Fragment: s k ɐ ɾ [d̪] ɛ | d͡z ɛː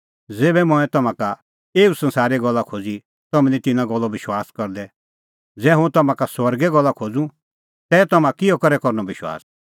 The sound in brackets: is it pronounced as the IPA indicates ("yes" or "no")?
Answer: yes